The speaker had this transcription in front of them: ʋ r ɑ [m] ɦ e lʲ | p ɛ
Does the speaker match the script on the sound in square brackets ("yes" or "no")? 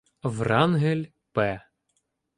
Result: no